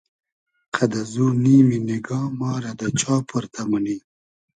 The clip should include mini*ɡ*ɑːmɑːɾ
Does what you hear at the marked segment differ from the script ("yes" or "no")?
no